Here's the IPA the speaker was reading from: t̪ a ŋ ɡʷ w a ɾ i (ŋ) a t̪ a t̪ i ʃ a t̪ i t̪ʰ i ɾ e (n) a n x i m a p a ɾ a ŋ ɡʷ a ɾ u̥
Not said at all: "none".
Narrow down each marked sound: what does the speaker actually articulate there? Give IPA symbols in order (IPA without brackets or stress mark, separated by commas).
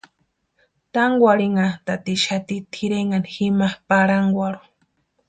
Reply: ŋ, ŋ